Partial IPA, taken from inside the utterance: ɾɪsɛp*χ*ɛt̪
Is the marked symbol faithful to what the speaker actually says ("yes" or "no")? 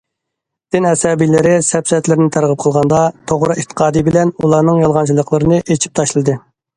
no